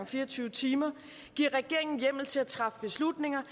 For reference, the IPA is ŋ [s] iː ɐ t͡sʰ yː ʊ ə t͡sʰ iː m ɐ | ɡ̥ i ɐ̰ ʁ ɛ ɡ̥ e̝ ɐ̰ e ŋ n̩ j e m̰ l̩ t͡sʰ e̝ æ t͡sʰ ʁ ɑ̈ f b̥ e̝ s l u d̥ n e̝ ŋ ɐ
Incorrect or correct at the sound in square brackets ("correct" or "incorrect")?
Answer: incorrect